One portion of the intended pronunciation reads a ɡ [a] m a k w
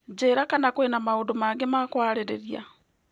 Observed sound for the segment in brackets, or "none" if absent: e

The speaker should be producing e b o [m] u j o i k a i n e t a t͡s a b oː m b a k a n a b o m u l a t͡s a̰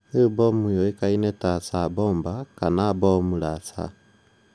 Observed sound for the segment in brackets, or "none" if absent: m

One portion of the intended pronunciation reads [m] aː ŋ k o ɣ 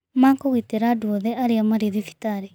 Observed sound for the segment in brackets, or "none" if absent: m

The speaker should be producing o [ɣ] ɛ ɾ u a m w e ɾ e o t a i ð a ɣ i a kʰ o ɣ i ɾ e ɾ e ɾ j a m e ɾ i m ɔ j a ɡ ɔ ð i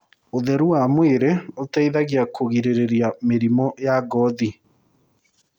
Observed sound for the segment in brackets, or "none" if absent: ð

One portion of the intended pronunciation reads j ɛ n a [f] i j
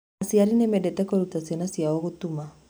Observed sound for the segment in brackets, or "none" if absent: s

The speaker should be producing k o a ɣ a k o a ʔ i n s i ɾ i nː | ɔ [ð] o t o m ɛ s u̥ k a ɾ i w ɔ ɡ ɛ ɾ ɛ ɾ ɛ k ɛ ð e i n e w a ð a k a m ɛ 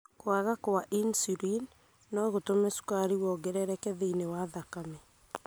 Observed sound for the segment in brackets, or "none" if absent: ɣ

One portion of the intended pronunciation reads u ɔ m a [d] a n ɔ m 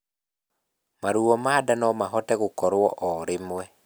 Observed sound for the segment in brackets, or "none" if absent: d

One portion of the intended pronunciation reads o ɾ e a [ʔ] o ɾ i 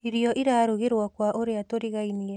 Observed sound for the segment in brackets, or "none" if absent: t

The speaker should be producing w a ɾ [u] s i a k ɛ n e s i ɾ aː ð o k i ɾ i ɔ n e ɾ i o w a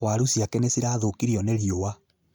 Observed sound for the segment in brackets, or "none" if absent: u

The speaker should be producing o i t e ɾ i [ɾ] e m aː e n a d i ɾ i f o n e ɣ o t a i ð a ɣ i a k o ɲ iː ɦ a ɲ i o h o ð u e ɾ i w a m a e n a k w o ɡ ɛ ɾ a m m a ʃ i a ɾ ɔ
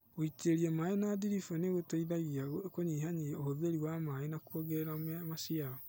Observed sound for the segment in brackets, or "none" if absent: none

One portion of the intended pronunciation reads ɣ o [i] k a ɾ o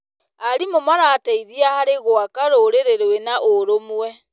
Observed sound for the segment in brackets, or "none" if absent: a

